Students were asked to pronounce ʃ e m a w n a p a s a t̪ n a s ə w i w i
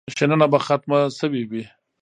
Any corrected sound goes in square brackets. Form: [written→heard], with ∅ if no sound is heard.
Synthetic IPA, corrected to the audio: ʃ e [m→n] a [w→∅] n a [p→b] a [s→x] a t̪ [n→m] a s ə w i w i